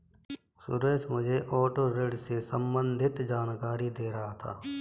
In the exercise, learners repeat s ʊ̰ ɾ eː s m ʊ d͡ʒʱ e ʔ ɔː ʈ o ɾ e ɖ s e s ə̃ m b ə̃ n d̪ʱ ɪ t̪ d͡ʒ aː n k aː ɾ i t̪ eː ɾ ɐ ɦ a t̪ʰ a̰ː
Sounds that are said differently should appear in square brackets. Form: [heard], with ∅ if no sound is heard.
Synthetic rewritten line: s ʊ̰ ɾ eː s m ʊ d͡ʒʱ e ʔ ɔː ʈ o ɾ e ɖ s e s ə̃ m b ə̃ n d̪ʱ ɪ t̪ d͡ʒ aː n k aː ɾ i [d̪] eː ɾ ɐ ɦ a t̪ʰ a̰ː

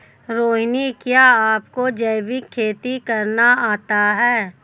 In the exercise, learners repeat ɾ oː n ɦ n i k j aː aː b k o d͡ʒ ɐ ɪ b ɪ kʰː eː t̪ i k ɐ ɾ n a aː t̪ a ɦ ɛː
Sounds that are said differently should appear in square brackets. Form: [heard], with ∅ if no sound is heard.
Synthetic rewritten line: ɾ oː [∅] ɦ n i k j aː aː [p] k o d͡ʒ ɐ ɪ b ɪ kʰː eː t̪ i k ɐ ɾ n a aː t̪ a ɦ ɛː

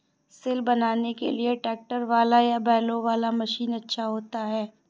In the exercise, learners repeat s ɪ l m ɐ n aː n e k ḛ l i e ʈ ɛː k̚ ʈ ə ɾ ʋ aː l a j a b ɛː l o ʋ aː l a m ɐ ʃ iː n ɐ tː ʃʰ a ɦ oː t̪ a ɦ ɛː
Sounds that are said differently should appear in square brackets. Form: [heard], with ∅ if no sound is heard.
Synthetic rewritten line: s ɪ l [b] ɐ n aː n e k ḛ l i e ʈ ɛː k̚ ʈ ə ɾ ʋ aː l a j a b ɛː l o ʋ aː l a m ɐ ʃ iː n ɐ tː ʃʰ a ɦ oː t̪ a ɦ ɛː

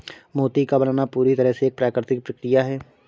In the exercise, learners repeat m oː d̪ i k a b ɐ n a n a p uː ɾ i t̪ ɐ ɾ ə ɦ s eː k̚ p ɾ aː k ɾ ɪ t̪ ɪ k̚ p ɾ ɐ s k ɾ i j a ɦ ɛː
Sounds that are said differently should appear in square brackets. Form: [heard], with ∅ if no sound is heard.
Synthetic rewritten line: m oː [t̪] i k a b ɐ n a n a p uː ɾ i t̪ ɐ ɾ ə ɦ s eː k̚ p ɾ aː k ɾ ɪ t̪ ɪ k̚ p ɾ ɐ [∅] k ɾ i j a ɦ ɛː

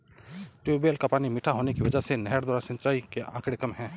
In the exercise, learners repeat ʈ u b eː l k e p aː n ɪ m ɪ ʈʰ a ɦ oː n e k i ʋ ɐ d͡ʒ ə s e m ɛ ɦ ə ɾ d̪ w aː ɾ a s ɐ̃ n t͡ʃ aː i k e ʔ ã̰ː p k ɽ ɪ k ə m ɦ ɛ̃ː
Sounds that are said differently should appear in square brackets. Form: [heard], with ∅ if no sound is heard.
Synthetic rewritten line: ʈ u b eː l k [a] p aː n [i] m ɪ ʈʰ a ɦ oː n e k i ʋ ɐ d͡ʒ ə s e [n] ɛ ɦ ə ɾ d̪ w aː ɾ a s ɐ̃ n t͡ʃ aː i k e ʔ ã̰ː [∅] k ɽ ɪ k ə m ɦ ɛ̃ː

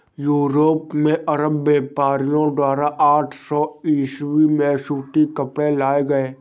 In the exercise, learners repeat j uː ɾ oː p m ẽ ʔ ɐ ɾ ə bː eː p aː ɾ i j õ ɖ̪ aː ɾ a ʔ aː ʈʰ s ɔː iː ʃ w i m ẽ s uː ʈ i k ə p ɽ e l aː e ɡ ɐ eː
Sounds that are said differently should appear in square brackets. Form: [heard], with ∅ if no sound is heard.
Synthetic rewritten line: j uː ɾ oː p m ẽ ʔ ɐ ɾ ə bː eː p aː ɾ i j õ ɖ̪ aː ɾ a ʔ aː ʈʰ s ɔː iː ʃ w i m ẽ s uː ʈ i k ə p ɽ e l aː e ɡ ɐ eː

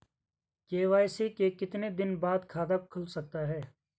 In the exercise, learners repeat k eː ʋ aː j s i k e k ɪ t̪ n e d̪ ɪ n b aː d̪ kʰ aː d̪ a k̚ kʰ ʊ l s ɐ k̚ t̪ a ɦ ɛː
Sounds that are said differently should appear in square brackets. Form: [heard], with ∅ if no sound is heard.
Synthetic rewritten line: k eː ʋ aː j s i k e k ɪ t̪ n e d̪ ɪ n b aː d̪ kʰ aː d̪ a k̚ kʰ ʊ l s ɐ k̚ t̪ a ɦ ɛː

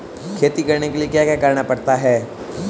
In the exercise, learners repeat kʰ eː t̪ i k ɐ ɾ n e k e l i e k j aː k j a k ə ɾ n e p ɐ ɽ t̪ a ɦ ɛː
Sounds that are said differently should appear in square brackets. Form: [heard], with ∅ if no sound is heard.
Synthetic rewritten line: kʰ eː t̪ i k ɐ ɾ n e k e l i e k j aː k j a k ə ɾ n [a] p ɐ ɽ t̪ a ɦ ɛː

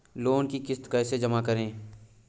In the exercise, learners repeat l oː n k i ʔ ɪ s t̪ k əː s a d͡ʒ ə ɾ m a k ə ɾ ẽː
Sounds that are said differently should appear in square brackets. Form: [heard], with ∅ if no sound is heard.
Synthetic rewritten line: l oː n k i [k] ɪ s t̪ k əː s [e] d͡ʒ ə [∅] m a k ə ɾ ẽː

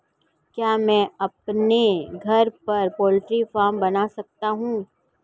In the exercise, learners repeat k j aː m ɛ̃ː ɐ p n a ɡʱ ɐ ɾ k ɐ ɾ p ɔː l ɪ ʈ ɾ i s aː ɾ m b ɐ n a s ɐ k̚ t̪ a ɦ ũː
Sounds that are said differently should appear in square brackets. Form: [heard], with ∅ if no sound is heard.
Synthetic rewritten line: k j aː m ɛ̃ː ɐ p n [e] ɡʱ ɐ ɾ [p] ɐ ɾ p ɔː l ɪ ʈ ɾ i [f] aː ɾ m b ɐ n a s ɐ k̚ t̪ a ɦ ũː

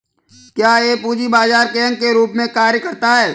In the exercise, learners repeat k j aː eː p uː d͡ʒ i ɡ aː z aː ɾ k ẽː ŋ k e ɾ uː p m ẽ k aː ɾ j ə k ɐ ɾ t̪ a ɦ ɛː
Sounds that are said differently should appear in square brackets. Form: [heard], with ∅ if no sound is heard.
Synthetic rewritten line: k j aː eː p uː d͡ʒ i [b] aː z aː ɾ k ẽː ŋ k e ɾ uː p m ẽ k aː ɾ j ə k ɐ ɾ t̪ a ɦ ɛː

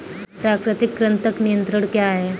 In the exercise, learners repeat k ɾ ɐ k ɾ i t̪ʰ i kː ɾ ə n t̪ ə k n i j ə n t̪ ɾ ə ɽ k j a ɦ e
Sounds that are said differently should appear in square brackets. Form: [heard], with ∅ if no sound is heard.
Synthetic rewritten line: [p] ɾ [a] k ɾ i [t̪] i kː ɾ ə n t̪ ə k n i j ə n t̪ ɾ ə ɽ k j a ɦ e

